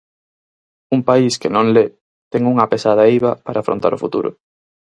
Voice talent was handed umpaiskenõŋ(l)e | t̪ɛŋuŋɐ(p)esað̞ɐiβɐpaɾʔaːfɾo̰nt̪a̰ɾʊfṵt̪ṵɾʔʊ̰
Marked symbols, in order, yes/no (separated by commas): yes, yes